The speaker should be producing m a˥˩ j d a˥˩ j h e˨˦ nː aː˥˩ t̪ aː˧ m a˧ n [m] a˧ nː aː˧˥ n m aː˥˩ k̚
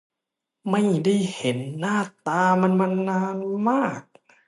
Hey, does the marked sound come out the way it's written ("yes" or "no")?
yes